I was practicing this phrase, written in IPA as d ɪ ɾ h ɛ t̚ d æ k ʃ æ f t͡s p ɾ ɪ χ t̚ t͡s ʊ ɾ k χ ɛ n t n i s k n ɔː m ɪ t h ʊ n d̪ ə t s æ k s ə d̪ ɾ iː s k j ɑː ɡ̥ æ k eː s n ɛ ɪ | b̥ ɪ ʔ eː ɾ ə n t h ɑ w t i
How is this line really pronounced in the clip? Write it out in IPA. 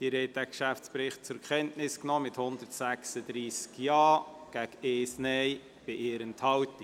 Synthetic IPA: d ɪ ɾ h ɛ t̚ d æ k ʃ æ f t͡s p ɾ ɪ χ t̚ t͡s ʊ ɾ k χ ɛ n t n ɪ s k n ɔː m ɪ t h ʊ n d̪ ə t s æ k s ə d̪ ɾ iː s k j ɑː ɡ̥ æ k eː s n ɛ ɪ | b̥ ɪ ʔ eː ɾ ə n t h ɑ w t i